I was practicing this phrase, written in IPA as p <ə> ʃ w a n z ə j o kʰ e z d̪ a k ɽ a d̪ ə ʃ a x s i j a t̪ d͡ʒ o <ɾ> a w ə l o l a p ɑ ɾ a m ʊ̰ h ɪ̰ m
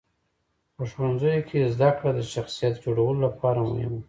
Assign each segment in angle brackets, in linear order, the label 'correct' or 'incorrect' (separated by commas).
correct, incorrect